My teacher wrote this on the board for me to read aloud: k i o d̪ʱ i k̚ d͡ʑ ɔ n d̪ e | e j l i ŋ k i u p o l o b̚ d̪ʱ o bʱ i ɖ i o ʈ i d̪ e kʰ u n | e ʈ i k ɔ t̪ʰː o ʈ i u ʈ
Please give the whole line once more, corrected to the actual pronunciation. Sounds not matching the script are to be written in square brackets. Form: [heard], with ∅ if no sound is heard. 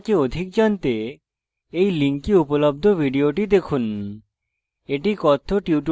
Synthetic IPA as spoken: k [e] o d̪ʱ i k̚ d͡ʑ ɔ n [t̪] e | e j l i ŋ k i u p o l o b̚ d̪ʱ o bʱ i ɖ i o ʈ i d̪ e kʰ u n | e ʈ i k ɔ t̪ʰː o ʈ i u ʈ